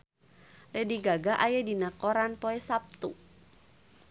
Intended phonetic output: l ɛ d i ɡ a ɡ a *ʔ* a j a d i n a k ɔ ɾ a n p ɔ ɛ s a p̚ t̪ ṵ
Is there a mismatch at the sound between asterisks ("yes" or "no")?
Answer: no